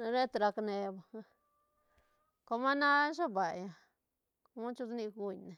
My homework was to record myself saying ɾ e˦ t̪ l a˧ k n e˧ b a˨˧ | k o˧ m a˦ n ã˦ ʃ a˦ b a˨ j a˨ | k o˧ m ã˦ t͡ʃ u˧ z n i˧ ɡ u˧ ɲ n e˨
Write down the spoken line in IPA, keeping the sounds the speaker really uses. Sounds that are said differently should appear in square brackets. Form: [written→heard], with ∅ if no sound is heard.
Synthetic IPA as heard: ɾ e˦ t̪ [l→ɾ] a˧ k n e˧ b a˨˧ | k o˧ m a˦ n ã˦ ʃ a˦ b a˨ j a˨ | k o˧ m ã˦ t͡ʃ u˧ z n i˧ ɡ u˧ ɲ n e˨